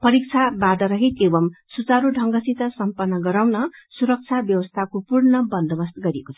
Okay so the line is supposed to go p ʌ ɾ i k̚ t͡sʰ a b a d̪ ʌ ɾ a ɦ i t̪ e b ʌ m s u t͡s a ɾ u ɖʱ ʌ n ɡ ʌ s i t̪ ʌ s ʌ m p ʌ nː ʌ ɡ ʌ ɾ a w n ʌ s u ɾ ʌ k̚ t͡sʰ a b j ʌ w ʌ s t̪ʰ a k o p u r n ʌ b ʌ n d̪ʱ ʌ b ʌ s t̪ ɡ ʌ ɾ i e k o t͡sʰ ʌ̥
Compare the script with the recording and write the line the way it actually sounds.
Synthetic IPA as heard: p ʌ ɾ i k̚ t͡sʰ a b a d̪ ʌ ɾ ʌ ɦ i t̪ e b ʌ m s u t͡s a ɾ u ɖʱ ʌ ŋ ɡ ʌ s i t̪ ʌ s ʌ m p ʌ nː ʌ ɡ ʌ ɾ a w n ʌ s u ɾ ʌ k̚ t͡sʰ a b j ʌ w ʌ s t̪ʰ a k o p u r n ʌ b ʌ n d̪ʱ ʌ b ʌ s t̪ ɡ ʌ ɾ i e k o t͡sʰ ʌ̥

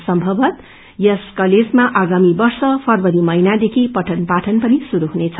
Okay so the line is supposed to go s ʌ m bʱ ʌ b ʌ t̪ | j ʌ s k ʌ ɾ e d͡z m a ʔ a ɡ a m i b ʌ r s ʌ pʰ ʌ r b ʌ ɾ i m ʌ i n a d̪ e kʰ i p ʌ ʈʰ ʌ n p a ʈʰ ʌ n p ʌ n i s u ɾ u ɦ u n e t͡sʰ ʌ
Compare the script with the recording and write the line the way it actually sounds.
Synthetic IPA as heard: s ʌ m bʱ ʌ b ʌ t̪ | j ʌ s k ʌ l e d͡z m a ʔ a ɡ a m i b ʌ r s ʌ pʰ ʌ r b ʌ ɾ i m ʌ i n a d̪ e kʰ i p ʌ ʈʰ ʌ n p a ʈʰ ʌ n p ʌ n i s u ɾ u ɦ u n e t͡sʰ ʌ

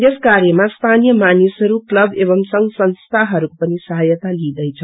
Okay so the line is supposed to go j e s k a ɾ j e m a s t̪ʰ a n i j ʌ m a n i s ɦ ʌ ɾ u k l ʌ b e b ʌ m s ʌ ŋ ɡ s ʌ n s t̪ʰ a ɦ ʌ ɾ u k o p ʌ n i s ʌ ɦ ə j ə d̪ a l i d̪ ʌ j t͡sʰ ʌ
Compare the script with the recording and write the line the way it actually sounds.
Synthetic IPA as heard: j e s k a ɾ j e m a s t̪ʰ a n i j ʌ m a n i s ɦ ʌ ɾ u k l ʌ b e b ʌ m s ʌ ŋ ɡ s ʌ n s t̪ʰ a ɦ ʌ ɾ u k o p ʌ n i s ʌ ɦ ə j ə t̪ a l i d̪ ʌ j t͡sʰ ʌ

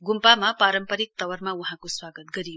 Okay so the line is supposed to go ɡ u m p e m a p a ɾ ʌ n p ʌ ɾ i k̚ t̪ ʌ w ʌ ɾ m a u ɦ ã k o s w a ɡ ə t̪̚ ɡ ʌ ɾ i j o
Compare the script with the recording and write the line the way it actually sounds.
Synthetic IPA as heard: ɡ u m p a m a p a ɾ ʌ m p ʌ ɾ i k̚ t̪ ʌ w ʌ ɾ m a u ɦ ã k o s w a ɡ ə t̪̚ ɡ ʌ ɾ i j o

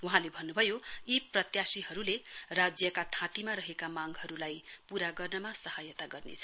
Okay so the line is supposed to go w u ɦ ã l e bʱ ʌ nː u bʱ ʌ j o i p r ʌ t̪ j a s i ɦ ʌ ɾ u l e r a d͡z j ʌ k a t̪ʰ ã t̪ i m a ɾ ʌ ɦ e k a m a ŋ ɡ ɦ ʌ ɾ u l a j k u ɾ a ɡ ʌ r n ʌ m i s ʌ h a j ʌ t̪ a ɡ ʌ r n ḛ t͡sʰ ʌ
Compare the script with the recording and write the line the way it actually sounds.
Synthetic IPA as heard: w u ɦ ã l e bʱ ʌ nː u bʱ ʌ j o i p r ʌ t̪ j a s i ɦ ʌ ɾ u l e r a d͡z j ʌ k a t̪ʰ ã t̪ i m a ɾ ʌ ɦ e k a m a ŋ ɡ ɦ ʌ ɾ u l a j p u ɾ a ɡ ʌ r n ʌ m a s ʌ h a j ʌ t̪ a ɡ ʌ r n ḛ t͡sʰ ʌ

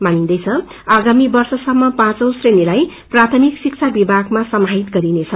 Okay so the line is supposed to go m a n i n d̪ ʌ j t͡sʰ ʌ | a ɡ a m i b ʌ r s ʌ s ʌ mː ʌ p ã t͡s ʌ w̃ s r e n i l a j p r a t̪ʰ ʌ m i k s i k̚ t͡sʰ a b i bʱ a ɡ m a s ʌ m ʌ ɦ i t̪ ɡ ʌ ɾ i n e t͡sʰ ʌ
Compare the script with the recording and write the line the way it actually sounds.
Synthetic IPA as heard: m a n i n d̪ ʌ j t͡sʰ ʌ | a ɡ a m i b ʌ r s ʌ s ʌ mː ʌ p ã t͡s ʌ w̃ s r e n i l a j p r a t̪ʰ ʌ m i k s i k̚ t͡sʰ a b i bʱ a ɡ m a s ʌ m a ɦ i t̪ ɡ ʌ ɾ i n e t͡sʰ ʌ

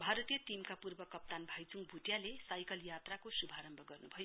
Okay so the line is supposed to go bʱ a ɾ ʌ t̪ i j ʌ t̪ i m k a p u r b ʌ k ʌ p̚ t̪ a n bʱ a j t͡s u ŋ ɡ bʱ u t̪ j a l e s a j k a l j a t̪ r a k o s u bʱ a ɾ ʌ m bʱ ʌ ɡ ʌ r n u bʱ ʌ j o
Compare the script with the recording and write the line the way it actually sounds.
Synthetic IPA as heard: bʱ a ɾ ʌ t̪ i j ʌ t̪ i m k a p u r b ʌ k ʌ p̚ t̪ a n bʱ a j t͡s u ŋ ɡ bʱ u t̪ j a l e s a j k ʌ l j a t̪ r a k o s u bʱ a ɾ ʌ m bʱ ʌ ɡ ʌ r n u bʱ ʌ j o

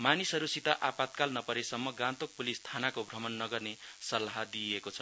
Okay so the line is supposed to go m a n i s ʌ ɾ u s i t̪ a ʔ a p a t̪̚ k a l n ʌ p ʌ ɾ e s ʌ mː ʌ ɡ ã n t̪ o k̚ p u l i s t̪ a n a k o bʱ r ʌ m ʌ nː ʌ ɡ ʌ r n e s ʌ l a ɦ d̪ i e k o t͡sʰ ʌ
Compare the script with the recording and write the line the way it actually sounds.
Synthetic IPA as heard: m a n i s ʌ ɾ u s i t̪ a ʔ a p a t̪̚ k a l n ʌ p ʌ ɾ e s ʌ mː ʌ ɡ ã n t̪ o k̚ p u l i s t̪ʰ a n a k o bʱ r ʌ m ʌ nː ʌ ɡ ʌ r n e s ʌ l a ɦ d̪ i e k o t͡sʰ ʌ

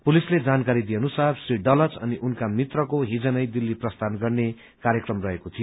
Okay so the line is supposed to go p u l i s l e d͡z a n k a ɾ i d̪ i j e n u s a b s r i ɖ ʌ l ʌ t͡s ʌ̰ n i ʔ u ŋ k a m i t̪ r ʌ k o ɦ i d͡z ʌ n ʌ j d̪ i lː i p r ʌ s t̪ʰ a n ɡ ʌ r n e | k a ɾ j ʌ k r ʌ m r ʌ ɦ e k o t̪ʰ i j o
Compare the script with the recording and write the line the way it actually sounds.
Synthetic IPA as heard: p u l i s l e d͡z a n k a ɾ i d̪ i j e n u s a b s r i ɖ ʌ l ʌ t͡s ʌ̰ n i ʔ u n k a m i t̪ r ʌ k o ɦ i d͡z ʌ n ʌ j d̪ i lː i p r ʌ s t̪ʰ a n ɡ ʌ r n e | k a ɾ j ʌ k r ʌ m r ʌ ɦ e k o t̪ʰ i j o

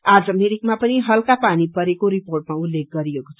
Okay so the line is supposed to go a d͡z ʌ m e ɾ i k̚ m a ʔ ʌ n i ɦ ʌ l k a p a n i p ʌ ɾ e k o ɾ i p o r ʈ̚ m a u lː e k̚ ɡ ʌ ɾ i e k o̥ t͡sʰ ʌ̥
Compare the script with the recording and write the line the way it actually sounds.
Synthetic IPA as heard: a d͡z ʌ m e ɾ i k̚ m a p ʌ n i ɦ ʌ l k a p a n i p ʌ ɾ e k o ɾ i p o r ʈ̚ m a u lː e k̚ ɡ ʌ ɾ i e k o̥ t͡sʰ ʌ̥

